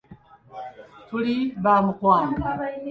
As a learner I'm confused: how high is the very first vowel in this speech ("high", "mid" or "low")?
high